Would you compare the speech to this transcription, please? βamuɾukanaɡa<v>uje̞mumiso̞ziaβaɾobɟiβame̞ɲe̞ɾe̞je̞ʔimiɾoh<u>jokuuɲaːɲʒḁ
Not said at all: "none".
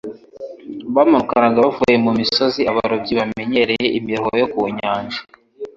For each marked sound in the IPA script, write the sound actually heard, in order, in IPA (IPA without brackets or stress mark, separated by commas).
v, o